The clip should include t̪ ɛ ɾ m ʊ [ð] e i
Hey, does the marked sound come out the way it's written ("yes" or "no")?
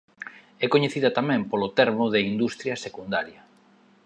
yes